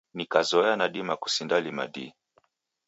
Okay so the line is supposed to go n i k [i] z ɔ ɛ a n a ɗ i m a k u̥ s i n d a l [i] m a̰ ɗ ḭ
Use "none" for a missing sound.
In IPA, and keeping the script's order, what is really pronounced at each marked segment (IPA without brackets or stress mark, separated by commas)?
a, i